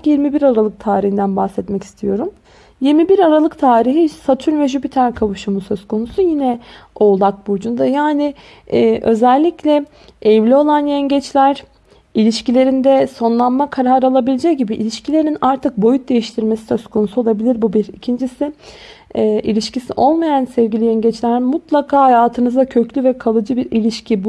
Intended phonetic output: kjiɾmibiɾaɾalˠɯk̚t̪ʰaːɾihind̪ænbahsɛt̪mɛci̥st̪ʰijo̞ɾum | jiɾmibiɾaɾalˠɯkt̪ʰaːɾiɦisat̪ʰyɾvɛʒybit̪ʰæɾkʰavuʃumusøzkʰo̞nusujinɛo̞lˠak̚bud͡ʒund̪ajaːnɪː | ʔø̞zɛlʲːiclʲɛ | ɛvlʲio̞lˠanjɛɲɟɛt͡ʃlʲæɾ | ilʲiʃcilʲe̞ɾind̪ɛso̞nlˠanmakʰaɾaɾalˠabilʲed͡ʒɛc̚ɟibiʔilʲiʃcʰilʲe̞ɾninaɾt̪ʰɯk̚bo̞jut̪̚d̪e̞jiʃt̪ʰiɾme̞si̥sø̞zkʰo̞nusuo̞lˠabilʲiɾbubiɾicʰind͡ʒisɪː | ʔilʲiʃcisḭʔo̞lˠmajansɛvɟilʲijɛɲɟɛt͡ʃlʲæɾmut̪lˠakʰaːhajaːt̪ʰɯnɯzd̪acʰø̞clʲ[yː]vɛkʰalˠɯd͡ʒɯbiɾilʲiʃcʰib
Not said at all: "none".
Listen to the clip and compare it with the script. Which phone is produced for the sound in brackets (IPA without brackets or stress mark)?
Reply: y